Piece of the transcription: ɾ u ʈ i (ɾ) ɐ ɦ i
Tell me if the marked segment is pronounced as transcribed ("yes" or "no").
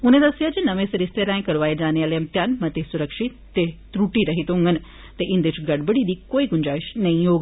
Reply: yes